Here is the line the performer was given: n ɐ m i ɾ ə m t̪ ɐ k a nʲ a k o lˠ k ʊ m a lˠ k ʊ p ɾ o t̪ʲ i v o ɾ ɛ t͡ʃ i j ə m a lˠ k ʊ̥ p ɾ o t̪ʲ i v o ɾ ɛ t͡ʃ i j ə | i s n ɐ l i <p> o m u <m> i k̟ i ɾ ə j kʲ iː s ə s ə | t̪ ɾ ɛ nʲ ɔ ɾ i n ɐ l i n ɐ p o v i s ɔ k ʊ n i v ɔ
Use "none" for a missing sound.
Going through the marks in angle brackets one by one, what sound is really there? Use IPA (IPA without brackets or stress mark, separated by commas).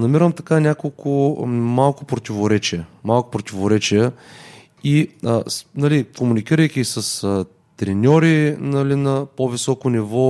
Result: k, n